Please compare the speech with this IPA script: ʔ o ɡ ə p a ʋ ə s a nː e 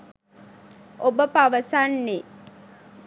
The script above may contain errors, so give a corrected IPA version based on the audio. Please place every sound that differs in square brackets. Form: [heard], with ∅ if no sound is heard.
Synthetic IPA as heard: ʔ o [b] ə p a ʋ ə s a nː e

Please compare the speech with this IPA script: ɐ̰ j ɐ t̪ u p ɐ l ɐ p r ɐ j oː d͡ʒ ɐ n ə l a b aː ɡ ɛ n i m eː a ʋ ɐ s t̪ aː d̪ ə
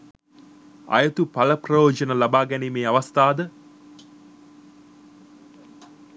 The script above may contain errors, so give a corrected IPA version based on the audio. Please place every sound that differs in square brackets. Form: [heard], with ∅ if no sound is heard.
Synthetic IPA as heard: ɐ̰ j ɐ t̪ u p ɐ l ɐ p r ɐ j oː d͡ʒ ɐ n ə l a b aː ɡ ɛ n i m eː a ʋ ɐ s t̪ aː d̪ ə

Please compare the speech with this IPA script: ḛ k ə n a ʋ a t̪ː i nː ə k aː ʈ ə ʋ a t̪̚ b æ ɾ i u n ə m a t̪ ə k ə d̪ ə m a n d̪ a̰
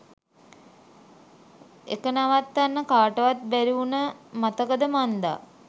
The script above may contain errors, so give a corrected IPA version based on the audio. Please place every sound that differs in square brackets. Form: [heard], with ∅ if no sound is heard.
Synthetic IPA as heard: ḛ k ə n a ʋ a t̪ː [a] nː ə k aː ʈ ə ʋ a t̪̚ b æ ɾ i u n ə m a t̪ ə k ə d̪ ə m a n d̪ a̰

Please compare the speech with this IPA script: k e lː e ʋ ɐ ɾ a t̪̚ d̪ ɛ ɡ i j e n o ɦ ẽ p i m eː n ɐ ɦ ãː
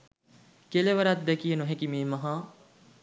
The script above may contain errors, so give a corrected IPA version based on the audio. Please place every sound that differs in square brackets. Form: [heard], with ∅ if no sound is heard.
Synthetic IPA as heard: k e [l] e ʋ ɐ ɾ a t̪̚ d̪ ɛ [k] i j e n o ɦ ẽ [k] i m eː [m] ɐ ɦ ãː

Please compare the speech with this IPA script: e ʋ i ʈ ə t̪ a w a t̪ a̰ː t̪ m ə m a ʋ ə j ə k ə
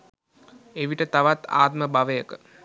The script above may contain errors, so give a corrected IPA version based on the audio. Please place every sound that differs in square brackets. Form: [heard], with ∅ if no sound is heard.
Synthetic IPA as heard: e ʋ i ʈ ə t̪ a [ʋ] a t̪ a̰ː t̪ m ə [b] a ʋ ə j ə k ə

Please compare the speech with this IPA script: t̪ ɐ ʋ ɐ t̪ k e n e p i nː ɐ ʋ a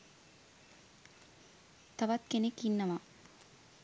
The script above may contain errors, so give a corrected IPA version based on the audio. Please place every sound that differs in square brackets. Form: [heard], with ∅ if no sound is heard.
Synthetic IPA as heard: t̪ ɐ ʋ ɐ t̪ k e n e [k] i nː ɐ ʋ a

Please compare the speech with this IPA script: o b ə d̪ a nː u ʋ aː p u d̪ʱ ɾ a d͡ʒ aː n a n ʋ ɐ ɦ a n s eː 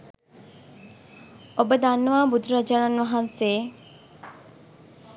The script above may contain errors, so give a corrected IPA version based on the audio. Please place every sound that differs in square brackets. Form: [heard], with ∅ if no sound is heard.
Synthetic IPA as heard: o b ə d̪ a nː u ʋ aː [b] u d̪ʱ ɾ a d͡ʒ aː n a n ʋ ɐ ɦ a n s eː

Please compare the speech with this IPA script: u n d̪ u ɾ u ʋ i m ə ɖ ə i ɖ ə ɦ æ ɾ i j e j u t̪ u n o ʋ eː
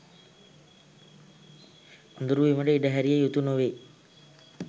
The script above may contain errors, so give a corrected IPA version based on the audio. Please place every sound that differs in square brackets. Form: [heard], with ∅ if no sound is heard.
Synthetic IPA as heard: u n d̪ u ɾ u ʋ i m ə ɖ ə i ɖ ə ɦ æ ɾ i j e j u t̪ u n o ʋ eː

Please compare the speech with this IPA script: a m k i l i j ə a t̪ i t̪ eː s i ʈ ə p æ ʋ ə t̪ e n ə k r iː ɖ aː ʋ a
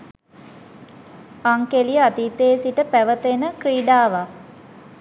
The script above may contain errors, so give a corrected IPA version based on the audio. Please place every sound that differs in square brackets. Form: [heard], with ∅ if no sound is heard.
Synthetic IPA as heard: a [ŋ] k [e] l i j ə a t̪ i t̪ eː s i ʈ ə p æ ʋ ə t̪ e n ə k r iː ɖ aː ʋ a

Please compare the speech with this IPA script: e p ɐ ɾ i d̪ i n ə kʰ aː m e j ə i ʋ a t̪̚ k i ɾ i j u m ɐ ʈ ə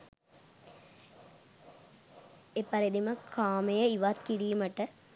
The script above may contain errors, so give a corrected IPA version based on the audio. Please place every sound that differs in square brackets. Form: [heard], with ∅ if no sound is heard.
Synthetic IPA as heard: e p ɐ ɾ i d̪ i [m] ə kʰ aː m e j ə i ʋ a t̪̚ k i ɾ i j u m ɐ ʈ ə

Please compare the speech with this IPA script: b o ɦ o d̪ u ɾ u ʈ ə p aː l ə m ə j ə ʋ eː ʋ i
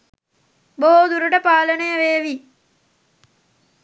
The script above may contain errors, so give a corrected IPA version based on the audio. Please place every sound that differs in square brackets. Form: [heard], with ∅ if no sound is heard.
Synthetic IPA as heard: b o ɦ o d̪ u ɾ u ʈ ə p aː l ə [n] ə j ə ʋ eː ʋ i

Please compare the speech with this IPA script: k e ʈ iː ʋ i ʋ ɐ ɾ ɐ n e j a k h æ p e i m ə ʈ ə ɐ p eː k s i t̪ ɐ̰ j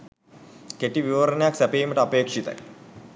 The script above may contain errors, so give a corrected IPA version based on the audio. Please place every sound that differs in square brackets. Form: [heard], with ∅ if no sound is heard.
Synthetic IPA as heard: k e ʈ [i] ʋ i ʋ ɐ ɾ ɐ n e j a k [s] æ p e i m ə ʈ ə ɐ p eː k [ʂ] i t̪ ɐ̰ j

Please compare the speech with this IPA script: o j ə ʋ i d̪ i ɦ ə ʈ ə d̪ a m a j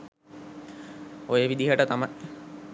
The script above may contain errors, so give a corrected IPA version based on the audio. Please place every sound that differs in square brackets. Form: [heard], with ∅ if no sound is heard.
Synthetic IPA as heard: o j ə ʋ i d̪ i ɦ ə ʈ ə [t̪] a m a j

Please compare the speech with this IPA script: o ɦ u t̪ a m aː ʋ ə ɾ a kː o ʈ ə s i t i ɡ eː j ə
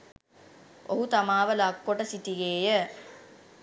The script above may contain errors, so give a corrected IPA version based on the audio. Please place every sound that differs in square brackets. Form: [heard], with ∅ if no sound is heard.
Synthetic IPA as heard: o ɦ u t̪ a m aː ʋ ə [l] a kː o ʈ ə s i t i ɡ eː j ə

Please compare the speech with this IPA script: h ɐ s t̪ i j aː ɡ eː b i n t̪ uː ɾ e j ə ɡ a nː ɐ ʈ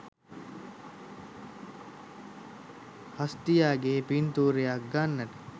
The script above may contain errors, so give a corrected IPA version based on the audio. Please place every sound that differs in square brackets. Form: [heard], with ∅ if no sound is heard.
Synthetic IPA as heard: h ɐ s t̪ i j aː ɡ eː [p] i n t̪ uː ɾ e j [a] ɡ a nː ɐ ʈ

